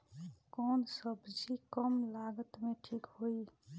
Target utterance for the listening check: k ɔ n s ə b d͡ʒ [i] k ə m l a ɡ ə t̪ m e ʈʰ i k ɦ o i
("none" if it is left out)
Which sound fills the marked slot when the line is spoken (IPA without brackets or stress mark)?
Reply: i